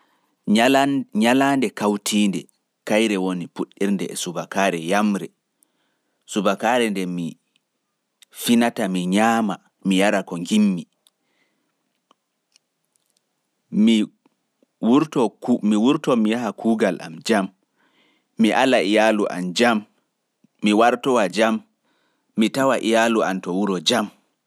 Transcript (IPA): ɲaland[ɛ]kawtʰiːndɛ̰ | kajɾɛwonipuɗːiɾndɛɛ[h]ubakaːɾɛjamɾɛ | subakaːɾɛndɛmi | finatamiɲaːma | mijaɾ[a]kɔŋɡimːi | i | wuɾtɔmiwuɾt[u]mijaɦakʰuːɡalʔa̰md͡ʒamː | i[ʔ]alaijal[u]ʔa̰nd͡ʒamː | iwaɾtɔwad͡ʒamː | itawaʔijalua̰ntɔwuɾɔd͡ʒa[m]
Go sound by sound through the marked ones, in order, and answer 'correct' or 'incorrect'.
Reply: correct, incorrect, correct, incorrect, correct, correct, correct

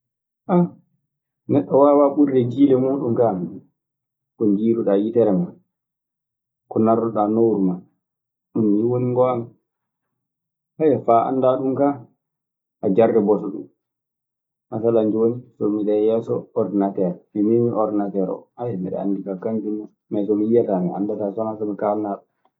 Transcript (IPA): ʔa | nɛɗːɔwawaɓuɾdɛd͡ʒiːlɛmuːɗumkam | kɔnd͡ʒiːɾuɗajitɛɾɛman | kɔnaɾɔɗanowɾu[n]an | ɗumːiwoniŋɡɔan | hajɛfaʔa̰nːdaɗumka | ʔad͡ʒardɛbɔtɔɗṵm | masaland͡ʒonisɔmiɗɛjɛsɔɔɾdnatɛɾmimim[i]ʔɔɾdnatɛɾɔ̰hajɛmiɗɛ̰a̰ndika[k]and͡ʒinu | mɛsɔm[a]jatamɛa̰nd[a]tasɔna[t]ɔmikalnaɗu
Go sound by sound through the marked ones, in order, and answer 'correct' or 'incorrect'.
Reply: incorrect, correct, correct, incorrect, correct, incorrect

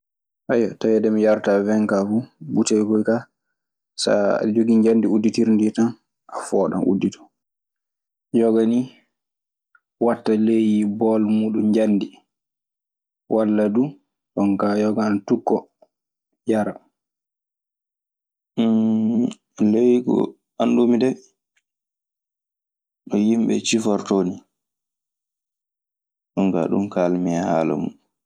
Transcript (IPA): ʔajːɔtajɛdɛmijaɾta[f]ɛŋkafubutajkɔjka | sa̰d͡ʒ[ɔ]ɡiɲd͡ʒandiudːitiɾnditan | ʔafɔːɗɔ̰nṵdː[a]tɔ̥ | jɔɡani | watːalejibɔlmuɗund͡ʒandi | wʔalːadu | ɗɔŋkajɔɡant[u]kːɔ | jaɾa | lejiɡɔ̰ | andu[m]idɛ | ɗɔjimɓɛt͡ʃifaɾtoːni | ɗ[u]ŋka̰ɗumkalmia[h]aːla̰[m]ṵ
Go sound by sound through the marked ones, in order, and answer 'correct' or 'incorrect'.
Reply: incorrect, incorrect, incorrect, correct, correct, incorrect, correct, correct

